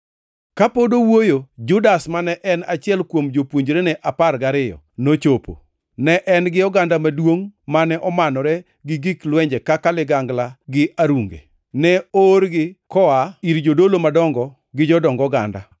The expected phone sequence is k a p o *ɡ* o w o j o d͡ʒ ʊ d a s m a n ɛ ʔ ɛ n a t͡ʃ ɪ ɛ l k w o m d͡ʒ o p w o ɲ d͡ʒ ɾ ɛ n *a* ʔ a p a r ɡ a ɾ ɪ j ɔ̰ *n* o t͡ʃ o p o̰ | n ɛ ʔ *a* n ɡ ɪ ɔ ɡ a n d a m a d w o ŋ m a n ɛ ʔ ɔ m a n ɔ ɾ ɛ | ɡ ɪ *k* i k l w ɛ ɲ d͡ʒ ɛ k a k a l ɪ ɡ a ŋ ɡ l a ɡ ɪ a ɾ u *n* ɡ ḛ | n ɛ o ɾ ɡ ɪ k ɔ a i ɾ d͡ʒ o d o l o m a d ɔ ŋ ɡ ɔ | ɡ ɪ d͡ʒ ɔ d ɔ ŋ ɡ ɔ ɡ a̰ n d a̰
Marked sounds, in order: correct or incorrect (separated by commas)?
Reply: incorrect, incorrect, correct, incorrect, incorrect, incorrect